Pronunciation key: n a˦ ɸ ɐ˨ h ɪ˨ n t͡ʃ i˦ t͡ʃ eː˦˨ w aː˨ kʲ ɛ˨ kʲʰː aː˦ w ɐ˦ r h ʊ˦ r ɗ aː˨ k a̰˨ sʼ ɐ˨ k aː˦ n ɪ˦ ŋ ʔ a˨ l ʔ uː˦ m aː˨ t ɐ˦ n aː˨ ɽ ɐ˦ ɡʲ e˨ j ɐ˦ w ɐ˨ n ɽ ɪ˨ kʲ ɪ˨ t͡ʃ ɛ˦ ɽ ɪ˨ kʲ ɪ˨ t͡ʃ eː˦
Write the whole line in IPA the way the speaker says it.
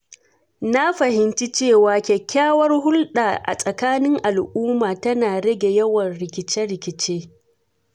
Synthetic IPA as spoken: n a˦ ɸ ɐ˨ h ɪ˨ n t͡ʃ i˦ t͡ʃ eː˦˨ w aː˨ kʲ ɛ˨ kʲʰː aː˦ w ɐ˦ r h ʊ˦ l ɗ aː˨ ʔ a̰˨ sʼ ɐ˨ k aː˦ n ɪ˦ ŋ ʔ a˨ l ʔ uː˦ m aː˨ t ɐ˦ n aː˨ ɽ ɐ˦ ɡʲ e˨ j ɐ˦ w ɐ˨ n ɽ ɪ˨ kʲ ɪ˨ t͡ʃ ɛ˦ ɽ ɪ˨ kʲ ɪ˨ t͡ʃ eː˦